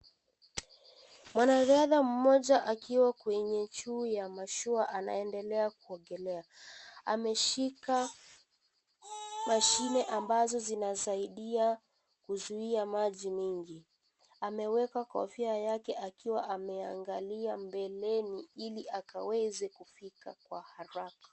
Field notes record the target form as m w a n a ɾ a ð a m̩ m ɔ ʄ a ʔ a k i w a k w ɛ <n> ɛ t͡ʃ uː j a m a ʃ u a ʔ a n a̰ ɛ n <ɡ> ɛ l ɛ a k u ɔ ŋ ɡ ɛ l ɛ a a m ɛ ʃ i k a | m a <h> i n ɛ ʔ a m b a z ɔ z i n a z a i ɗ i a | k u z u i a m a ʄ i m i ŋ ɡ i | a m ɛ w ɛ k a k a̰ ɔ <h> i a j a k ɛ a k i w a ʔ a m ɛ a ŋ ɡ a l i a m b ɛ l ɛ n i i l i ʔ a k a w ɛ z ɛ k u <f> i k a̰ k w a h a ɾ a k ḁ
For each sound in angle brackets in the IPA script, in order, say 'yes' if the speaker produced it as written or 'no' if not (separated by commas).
no, no, no, no, yes